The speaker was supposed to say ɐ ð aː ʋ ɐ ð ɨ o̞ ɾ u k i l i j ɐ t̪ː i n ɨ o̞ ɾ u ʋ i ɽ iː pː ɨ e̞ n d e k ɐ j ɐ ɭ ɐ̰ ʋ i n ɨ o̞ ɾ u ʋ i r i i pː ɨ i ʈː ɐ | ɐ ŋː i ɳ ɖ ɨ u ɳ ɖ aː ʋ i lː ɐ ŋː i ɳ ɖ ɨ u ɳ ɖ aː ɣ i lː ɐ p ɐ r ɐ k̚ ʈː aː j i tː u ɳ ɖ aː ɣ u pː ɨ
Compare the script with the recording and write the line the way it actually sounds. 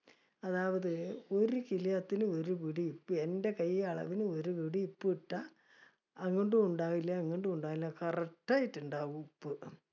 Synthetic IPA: ɐ ð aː ʋ ɐ ð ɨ o̞ ɾ u k i l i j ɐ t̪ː i n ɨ o̞ ɾ u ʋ i ɽ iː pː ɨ e̞ n d e k ɐ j ɐ ɭ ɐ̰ ʋ i n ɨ o̞ ɾ u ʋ i ɽ i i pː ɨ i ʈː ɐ | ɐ ŋː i ɳ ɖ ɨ u ɳ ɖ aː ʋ i lː ɐ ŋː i ɳ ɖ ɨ u ɳ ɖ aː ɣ i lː ɐ k ɐ r ɐ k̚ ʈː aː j i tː u ɳ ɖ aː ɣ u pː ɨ